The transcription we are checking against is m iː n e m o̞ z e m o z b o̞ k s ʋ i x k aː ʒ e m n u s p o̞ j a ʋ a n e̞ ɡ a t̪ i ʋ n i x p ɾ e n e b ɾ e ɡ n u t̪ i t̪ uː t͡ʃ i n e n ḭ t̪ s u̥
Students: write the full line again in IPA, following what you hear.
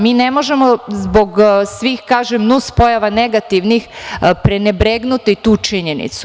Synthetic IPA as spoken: m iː n e m o̞ ʒ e m o z b o̞ ɡ s ʋ i x k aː ʒ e m n u s p o̞ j a ʋ a n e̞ ɡ a t̪ i ʋ n i x p ɾ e n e b ɾ e ɡ n u t̪ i t̪ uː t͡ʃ i ɲ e n ḭ t̪ s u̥